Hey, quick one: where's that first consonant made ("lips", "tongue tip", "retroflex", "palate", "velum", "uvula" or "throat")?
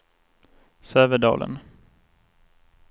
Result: tongue tip